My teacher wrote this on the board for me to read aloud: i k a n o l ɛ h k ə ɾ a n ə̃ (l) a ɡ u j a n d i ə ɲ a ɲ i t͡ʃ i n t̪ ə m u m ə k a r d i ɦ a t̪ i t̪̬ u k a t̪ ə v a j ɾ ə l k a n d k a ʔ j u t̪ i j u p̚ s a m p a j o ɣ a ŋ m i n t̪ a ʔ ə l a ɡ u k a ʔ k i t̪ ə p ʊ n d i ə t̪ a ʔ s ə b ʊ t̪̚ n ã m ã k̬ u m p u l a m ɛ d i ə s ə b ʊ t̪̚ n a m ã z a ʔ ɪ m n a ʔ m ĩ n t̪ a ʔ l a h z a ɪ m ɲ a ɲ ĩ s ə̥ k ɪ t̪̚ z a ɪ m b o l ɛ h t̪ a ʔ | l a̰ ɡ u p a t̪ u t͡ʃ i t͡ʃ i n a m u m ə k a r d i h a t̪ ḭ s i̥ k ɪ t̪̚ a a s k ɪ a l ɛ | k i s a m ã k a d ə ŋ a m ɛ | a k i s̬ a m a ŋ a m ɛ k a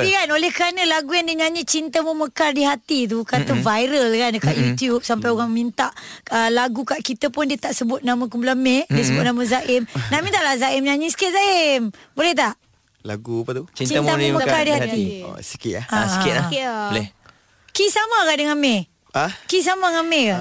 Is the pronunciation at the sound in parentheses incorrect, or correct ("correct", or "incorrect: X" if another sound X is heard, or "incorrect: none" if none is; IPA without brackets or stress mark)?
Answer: correct